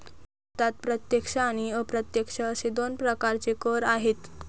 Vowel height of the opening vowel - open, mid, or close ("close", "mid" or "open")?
open